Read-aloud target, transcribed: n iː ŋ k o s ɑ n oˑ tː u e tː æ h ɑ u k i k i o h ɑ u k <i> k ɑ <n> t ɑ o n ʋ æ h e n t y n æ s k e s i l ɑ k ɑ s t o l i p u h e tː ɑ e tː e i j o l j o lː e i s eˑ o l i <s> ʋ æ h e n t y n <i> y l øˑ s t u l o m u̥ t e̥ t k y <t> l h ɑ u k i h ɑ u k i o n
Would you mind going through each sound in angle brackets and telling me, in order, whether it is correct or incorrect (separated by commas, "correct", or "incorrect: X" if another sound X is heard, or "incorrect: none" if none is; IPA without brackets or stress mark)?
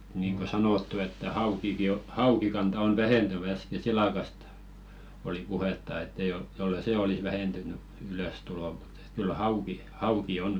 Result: correct, correct, correct, incorrect: y, incorrect: none